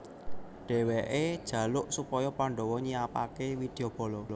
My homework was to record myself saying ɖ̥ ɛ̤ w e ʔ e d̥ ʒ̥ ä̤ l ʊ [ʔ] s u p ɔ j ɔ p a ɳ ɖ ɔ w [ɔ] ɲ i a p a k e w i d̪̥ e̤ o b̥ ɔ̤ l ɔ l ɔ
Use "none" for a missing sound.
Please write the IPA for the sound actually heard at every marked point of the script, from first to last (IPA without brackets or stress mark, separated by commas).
ʔ, ɔ